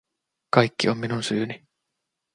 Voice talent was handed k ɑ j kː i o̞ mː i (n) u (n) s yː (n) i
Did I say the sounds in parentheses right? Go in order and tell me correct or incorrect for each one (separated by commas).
correct, correct, correct